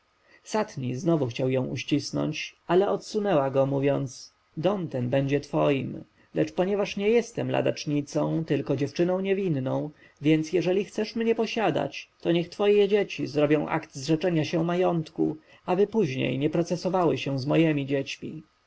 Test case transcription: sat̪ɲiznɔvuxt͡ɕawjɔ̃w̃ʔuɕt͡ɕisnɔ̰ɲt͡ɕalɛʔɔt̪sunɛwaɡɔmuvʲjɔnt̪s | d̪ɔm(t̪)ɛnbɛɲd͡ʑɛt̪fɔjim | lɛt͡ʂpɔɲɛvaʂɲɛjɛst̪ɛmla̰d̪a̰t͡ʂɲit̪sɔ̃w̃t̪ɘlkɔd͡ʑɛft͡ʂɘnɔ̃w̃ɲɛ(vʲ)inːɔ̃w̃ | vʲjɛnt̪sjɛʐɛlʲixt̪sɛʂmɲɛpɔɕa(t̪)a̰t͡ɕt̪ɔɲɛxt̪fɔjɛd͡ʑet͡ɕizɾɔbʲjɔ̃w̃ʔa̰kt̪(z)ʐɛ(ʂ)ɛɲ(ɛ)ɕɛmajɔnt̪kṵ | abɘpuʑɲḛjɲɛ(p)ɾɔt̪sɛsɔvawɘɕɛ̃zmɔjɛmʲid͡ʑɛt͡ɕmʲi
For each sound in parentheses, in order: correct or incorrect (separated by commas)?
correct, correct, incorrect, correct, incorrect, incorrect, correct